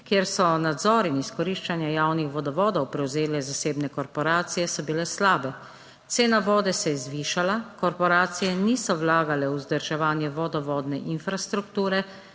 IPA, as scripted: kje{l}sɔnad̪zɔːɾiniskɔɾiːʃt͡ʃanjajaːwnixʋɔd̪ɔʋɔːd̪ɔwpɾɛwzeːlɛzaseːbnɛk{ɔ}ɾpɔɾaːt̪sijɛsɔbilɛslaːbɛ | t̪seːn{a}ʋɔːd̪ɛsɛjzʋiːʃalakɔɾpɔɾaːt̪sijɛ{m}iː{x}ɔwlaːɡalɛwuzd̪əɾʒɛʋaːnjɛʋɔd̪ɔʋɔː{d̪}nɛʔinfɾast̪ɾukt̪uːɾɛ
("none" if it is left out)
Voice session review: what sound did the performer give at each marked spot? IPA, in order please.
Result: ɾ, ɔ, a, n, s, d̪

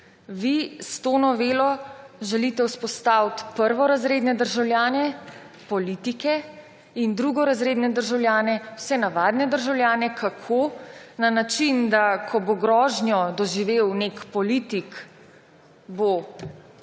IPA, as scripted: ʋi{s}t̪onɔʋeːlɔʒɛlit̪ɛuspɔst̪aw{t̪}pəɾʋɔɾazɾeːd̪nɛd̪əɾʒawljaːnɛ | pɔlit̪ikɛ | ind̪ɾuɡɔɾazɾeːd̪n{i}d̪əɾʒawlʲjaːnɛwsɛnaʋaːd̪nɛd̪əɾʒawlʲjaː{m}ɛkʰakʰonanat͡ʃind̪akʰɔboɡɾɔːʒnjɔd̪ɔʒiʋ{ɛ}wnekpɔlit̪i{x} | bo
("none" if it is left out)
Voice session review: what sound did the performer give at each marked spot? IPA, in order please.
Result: s, t̪, ɛ, n, e, k

